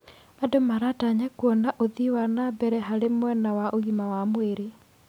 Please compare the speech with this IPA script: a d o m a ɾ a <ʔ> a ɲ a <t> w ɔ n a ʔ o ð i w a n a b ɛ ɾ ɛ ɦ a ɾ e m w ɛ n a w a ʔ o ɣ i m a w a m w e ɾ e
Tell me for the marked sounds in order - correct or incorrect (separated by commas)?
incorrect, incorrect